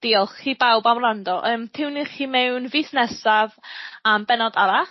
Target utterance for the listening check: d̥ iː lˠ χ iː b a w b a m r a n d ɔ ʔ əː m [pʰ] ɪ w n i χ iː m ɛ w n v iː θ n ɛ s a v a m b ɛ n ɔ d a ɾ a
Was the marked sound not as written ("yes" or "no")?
yes